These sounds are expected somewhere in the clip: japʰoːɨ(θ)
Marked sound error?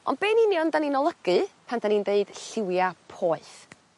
no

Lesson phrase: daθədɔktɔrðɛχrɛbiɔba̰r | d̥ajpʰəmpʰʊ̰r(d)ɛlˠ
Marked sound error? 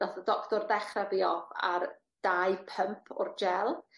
yes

